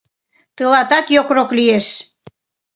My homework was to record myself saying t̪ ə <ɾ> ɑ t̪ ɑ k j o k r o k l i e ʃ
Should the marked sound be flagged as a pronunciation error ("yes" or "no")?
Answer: yes